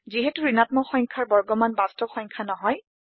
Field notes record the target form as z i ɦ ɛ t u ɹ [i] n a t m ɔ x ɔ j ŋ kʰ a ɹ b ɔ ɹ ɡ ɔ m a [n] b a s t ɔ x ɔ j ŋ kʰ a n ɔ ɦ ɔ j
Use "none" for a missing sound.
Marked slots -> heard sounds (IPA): i, n

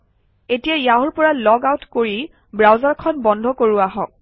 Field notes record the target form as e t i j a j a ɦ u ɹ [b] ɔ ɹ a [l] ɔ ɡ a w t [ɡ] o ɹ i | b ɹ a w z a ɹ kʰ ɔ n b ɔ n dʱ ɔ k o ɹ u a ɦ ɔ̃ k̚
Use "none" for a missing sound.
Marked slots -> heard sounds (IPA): p, l, k

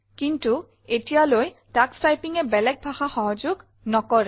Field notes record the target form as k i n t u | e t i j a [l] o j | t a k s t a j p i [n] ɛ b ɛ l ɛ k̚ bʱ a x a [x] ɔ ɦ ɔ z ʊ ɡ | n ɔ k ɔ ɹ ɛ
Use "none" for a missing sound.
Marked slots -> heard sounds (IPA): l, ŋ, x

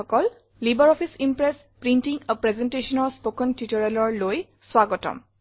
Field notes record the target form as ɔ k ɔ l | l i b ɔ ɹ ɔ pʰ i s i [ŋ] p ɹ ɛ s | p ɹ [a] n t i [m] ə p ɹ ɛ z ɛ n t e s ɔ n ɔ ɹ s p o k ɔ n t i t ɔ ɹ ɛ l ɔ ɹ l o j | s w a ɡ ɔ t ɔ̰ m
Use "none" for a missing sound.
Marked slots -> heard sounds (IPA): m, i, ŋ

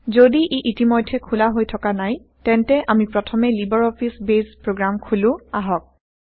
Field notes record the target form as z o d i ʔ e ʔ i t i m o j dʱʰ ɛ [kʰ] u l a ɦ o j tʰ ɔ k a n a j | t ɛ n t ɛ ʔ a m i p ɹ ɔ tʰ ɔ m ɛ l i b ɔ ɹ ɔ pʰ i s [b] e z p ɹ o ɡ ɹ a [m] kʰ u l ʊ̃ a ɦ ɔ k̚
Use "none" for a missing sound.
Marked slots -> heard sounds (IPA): kʰ, b, m

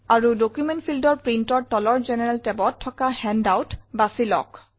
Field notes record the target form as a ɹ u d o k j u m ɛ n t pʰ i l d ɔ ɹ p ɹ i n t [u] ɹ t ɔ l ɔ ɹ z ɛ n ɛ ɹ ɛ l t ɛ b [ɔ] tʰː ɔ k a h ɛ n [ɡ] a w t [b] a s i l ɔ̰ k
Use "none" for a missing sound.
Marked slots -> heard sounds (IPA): ɔ, ɔ, d, b

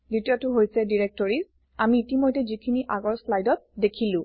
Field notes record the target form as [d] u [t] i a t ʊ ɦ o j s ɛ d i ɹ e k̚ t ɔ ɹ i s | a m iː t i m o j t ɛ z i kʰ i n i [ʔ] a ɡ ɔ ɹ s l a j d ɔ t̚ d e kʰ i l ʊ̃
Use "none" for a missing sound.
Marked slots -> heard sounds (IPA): d, t, ʔ

